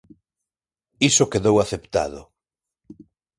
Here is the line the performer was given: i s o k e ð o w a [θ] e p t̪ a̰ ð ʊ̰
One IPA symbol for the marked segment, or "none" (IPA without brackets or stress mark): θ